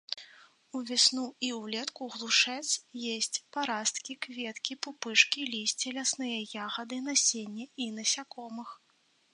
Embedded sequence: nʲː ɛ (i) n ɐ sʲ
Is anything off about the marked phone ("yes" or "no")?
no